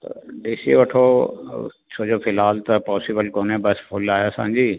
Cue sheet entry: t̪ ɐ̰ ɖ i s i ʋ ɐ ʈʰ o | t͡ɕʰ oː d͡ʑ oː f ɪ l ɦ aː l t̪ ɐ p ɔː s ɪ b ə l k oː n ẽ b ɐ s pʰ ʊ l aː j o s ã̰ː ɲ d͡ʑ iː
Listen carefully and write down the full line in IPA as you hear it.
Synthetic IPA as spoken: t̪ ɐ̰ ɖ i s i ʋ ɐ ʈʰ o | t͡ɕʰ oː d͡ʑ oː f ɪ l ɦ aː l t̪ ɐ p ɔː s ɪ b ə l k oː n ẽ b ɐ s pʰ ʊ l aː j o s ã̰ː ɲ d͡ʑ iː